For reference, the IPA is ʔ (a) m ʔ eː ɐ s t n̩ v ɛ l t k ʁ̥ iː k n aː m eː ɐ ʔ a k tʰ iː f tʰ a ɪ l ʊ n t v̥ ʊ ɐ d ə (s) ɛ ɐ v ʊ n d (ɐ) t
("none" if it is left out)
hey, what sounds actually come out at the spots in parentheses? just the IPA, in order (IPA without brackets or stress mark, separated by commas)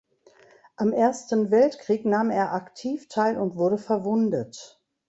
a, f, ə